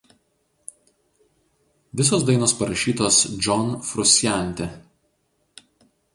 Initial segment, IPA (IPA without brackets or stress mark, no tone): ʋʲ